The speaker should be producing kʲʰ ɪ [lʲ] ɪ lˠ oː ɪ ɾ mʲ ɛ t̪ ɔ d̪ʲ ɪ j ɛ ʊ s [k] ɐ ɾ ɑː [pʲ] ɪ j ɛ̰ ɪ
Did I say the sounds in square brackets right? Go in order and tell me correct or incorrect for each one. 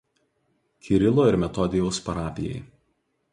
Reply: incorrect: ɾʲ, incorrect: p, correct

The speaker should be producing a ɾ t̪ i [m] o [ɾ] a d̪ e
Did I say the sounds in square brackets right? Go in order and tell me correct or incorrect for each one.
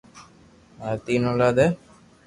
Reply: incorrect: n, incorrect: l

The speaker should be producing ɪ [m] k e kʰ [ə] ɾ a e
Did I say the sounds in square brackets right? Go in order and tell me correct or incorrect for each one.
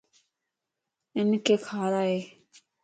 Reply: incorrect: n, incorrect: a

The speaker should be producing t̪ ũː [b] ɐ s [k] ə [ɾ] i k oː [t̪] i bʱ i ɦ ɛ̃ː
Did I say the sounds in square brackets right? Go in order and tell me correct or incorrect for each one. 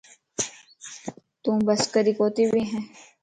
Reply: correct, correct, correct, correct

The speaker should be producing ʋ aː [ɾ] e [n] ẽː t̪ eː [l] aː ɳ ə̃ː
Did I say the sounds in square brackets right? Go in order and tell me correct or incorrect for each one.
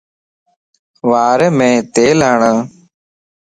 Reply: correct, incorrect: m, correct

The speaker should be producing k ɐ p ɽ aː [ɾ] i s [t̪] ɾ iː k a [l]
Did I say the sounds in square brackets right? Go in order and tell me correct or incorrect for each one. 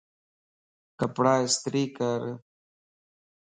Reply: incorrect: none, correct, incorrect: ɾ

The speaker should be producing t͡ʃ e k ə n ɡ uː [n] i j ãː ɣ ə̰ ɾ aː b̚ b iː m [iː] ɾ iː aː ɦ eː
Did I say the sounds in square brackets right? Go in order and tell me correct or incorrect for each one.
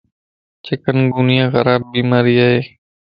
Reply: correct, incorrect: aː

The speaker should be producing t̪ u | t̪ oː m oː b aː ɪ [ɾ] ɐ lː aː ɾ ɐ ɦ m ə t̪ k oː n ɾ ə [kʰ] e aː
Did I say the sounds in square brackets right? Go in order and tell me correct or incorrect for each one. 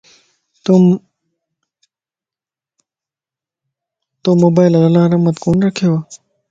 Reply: incorrect: l, correct

